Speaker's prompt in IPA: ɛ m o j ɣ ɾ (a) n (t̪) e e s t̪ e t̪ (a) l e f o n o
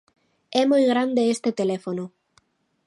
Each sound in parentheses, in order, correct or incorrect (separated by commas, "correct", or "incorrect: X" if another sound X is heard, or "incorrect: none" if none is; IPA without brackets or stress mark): correct, incorrect: d̪, incorrect: e